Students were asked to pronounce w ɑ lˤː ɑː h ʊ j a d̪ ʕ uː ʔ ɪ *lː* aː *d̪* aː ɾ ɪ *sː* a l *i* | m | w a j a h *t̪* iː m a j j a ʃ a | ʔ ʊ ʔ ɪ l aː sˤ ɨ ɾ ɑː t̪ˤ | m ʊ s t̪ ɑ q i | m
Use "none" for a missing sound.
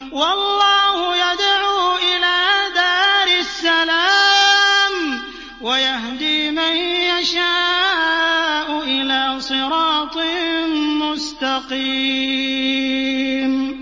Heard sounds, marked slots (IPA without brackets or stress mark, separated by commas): l, d̪, sː, a, d̪